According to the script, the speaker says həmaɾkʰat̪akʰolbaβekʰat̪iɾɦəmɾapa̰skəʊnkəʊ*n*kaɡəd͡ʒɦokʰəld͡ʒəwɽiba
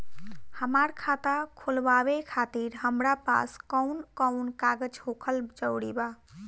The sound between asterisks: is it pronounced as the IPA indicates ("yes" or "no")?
yes